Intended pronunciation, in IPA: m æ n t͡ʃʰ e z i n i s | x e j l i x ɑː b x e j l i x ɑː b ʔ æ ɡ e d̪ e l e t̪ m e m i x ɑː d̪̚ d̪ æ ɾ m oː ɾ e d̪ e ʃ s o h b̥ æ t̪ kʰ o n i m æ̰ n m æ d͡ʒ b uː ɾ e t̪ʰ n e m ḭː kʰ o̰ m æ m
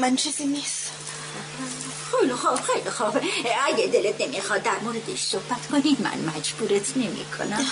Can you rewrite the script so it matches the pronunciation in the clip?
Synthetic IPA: m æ n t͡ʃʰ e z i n i s | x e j l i x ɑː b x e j l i x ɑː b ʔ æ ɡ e d̪ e l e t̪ n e m i x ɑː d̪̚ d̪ æ ɾ m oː ɾ e d̪ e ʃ s o h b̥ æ t̪ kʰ o n i m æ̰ n m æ d͡ʒ b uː ɾ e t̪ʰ n e m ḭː kʰ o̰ n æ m